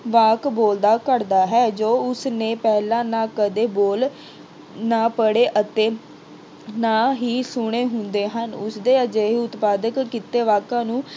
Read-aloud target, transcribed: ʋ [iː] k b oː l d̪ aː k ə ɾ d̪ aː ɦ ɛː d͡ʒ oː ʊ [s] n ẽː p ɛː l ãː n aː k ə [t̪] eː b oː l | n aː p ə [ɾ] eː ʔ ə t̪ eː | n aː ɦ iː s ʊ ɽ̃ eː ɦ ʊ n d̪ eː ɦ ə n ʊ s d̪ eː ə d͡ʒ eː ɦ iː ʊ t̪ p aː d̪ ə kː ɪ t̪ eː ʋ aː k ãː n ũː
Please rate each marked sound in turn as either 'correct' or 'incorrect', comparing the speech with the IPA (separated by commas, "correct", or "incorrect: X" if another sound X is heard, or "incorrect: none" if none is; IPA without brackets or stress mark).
incorrect: aː, correct, incorrect: d̪, incorrect: ɽ